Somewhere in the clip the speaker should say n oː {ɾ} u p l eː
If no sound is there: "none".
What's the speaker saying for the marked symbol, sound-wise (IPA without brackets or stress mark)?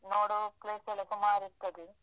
ɽ